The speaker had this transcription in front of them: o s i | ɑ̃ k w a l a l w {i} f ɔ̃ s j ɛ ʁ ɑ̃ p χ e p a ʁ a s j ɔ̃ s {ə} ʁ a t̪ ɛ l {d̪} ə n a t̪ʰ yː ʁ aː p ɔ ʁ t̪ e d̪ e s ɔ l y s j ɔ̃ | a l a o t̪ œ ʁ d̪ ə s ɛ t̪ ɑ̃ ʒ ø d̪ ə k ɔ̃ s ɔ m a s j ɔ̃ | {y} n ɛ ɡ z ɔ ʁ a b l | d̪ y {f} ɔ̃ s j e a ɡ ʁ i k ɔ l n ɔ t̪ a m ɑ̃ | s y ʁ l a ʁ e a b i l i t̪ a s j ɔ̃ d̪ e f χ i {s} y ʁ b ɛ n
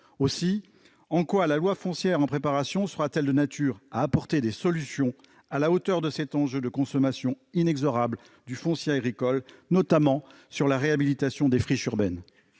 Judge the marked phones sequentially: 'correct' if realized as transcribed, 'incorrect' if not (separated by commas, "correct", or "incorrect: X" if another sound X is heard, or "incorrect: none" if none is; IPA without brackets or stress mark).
incorrect: a, correct, correct, incorrect: i, correct, incorrect: ʃ